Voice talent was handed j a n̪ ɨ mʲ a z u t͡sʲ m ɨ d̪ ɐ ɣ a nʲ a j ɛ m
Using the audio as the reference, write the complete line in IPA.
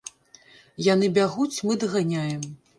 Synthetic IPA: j a n̪ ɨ bʲ a ɣ u t͡sʲ m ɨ d̪ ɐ ɣ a nʲ a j ɛ m